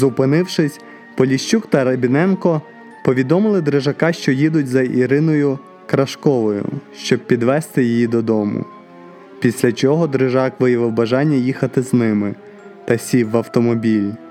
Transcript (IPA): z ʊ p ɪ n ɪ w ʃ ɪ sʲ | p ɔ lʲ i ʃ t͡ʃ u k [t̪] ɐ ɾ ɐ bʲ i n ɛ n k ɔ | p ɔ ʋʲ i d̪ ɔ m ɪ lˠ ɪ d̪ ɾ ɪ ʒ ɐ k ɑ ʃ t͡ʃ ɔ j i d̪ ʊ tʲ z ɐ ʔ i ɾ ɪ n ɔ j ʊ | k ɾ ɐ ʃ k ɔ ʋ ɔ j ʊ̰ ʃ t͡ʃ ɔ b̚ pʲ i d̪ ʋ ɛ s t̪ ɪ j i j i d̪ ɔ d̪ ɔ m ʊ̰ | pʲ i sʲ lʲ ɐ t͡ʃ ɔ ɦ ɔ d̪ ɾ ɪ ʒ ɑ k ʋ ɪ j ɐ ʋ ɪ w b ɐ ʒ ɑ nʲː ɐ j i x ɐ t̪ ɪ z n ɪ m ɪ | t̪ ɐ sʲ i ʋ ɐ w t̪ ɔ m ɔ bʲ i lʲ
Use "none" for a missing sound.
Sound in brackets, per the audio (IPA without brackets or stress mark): t̪